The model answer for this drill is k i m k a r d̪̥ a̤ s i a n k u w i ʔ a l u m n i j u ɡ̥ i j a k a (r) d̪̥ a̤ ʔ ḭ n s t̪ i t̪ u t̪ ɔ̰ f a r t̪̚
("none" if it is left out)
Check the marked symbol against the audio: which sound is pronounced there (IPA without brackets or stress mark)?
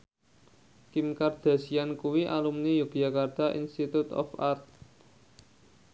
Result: r